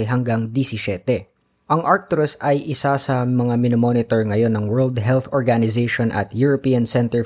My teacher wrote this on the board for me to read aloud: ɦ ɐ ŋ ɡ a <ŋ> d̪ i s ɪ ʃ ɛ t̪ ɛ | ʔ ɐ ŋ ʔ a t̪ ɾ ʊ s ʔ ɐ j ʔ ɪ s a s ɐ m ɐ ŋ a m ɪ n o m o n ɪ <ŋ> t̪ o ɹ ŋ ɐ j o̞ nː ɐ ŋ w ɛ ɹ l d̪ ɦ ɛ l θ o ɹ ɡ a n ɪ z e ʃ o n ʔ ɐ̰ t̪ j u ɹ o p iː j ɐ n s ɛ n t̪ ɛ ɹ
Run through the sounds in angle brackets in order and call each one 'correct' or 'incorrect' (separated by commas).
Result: correct, incorrect